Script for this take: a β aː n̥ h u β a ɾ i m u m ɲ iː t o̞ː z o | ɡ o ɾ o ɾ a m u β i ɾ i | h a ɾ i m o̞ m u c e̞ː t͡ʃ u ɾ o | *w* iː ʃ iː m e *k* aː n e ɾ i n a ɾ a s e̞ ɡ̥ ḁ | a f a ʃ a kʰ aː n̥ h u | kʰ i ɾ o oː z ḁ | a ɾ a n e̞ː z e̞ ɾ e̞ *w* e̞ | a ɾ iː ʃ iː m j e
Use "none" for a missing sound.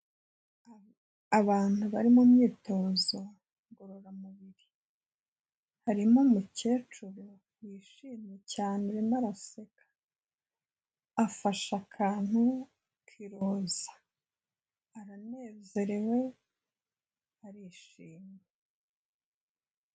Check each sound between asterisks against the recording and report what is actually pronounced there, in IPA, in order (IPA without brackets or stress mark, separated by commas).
w, c, w